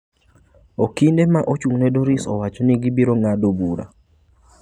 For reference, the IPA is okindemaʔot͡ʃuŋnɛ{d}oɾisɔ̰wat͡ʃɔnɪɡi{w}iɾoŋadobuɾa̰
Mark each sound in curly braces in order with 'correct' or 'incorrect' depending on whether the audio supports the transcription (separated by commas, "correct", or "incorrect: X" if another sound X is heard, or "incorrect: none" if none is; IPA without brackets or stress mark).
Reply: correct, incorrect: b